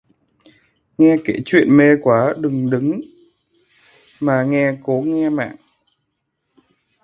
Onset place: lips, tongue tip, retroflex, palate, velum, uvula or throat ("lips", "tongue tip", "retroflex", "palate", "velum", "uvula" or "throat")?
velum